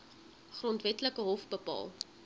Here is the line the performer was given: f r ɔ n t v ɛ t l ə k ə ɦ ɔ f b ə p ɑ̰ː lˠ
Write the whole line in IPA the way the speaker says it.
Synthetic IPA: χ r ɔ n t v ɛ t l ə k ə ɦ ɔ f b ə p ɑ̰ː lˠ

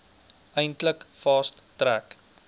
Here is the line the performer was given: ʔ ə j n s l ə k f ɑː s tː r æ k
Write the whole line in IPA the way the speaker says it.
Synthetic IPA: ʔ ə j n t l ə k f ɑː s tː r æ k

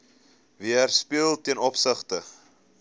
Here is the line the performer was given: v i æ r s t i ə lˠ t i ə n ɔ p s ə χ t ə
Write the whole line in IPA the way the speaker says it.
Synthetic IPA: v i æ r s p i ə lˠ t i ə n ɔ p s ə χ t ə

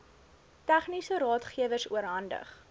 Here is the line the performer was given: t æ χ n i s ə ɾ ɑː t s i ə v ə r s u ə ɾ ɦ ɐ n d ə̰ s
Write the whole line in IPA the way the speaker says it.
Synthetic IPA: t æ χ n i s ə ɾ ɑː t χ i ə v ə r s u ə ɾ ɦ ɐ n d ə̰ χ

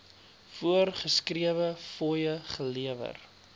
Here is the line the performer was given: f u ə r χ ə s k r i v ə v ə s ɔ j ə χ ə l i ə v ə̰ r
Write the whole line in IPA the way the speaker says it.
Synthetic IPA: f u ə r χ ə s k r i ə v ə f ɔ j ə χ ə l i ə v ə̰ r

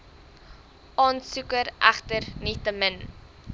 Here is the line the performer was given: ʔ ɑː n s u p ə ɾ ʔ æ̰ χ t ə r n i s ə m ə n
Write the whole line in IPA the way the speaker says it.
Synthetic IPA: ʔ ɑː n s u k ə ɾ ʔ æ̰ χ t ə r n i t ə m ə n

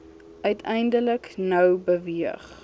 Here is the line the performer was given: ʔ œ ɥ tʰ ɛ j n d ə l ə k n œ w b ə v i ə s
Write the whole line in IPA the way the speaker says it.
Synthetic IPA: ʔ œ ɥ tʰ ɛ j n d ə l ə k n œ w b ə v i ə χ

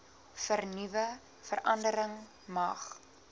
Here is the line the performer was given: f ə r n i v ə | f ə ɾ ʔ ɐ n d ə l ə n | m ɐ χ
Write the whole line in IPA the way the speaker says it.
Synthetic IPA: f ə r n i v ə | f ə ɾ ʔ ɐ n d ə ɾ ə ŋ | m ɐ χ

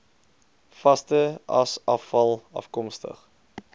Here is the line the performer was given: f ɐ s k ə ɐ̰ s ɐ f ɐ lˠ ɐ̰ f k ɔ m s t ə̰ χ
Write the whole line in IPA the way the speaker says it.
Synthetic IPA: f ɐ s t ə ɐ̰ s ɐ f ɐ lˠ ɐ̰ f k ɔ m s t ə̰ χ

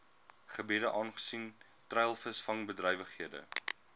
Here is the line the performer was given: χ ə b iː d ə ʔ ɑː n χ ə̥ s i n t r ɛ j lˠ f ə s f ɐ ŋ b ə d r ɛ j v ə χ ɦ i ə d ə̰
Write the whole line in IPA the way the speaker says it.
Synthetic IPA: χ ə b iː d ə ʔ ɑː n χ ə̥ s i n t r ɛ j lˠ f ə s f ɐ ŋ b ə d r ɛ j v ə χ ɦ i ə d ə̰

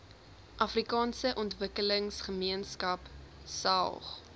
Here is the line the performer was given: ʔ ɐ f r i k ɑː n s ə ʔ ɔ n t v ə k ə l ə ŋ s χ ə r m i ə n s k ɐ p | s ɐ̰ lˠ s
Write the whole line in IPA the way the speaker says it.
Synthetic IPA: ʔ ɐ f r i k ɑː n s ə ʔ ɔ n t v ə k ə l ə ŋ s χ ə m i ə n s k ɐ p | s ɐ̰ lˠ χ

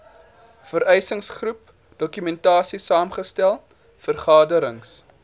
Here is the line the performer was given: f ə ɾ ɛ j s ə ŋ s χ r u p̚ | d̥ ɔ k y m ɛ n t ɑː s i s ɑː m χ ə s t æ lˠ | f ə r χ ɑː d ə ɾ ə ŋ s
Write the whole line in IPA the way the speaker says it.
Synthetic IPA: f ə ɾ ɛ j s ə ŋ s χ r u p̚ | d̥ ɔ k y m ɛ n t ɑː s i s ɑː m χ ə s t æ lˠ | f ə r χ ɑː d ə ɾ ə ŋ s

